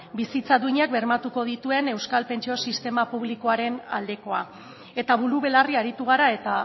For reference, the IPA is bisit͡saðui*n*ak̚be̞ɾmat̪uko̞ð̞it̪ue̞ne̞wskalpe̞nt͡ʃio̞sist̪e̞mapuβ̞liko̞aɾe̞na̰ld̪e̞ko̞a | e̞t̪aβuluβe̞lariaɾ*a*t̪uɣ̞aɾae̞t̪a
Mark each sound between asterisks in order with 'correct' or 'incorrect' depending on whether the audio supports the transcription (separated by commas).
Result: incorrect, incorrect